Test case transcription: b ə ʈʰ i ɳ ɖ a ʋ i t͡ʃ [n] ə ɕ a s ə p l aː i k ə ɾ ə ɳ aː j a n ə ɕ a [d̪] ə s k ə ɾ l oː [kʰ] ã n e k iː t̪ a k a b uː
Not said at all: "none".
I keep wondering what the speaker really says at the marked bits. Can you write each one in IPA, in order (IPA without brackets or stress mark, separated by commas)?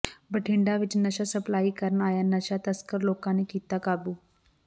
n, t̪, k